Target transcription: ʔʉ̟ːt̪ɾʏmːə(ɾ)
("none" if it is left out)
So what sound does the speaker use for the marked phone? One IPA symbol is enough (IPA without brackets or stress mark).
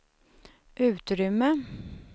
none